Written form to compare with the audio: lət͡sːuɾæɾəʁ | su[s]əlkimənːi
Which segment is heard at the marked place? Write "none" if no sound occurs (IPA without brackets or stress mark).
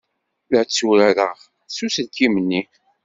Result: s